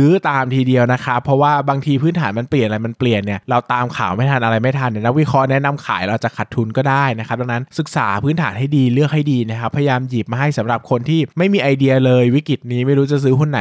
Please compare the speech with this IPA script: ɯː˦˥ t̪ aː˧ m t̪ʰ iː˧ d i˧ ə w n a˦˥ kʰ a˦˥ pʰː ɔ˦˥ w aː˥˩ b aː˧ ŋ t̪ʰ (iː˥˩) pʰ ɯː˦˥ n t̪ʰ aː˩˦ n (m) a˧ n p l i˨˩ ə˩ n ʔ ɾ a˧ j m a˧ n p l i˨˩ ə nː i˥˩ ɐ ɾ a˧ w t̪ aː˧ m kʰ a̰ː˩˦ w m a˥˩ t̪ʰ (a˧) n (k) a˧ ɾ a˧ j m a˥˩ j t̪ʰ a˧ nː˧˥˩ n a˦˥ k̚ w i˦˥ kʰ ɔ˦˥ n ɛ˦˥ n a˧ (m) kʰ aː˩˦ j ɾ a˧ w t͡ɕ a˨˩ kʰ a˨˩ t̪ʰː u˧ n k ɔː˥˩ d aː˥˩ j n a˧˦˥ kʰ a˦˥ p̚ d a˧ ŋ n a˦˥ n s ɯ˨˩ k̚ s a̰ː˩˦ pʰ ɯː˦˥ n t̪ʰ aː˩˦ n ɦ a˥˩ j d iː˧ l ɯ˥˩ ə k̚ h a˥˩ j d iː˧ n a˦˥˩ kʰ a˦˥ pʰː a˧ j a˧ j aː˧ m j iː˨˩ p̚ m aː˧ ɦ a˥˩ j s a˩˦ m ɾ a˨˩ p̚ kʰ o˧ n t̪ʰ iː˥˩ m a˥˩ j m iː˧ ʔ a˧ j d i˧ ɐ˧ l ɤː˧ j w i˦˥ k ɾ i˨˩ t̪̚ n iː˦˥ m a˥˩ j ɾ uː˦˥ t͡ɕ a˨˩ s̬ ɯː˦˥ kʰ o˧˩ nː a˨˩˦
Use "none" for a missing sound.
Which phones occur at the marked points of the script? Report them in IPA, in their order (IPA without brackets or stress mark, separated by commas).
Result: iː˧, m, a˧, ʔ, m